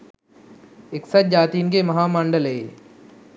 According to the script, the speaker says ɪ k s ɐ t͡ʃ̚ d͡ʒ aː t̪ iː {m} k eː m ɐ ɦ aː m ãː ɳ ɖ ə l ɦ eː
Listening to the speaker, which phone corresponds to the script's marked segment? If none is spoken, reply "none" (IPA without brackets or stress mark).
n